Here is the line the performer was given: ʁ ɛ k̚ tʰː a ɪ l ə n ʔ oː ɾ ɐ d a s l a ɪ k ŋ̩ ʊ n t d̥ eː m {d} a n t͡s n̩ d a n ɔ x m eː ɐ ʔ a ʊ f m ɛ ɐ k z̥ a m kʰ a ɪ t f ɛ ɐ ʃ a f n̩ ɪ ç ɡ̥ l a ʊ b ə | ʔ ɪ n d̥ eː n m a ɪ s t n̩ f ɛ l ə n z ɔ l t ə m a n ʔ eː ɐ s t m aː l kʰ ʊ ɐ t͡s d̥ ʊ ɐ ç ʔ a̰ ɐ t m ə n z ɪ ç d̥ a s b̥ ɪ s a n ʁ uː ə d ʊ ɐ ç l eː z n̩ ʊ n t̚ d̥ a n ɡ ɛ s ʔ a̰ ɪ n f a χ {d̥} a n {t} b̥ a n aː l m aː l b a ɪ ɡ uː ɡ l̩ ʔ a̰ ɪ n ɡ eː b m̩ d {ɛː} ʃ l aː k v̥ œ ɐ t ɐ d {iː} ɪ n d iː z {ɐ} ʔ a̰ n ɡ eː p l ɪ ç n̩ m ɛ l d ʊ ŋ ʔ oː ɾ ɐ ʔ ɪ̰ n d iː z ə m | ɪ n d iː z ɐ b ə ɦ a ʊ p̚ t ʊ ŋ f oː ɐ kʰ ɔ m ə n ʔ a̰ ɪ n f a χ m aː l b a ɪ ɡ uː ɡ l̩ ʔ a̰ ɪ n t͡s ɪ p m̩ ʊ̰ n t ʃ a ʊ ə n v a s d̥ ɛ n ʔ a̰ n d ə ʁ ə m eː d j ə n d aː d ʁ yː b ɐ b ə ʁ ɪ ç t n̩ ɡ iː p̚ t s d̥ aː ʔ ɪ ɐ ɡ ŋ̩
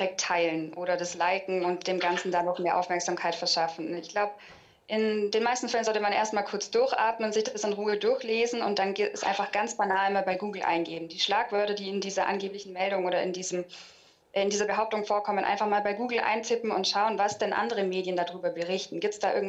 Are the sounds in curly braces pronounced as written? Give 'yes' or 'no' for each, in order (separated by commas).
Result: no, no, no, no, yes, yes